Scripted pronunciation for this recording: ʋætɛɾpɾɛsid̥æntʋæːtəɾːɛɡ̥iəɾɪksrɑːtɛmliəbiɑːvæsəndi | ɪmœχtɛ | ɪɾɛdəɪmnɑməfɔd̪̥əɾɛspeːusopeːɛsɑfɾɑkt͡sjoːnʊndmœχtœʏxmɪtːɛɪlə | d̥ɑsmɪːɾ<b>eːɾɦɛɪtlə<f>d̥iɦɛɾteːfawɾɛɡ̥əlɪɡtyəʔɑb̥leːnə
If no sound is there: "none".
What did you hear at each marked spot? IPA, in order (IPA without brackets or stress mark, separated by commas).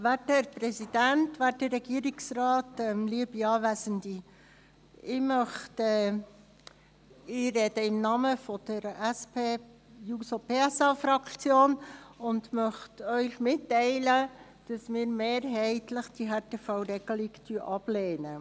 m, χ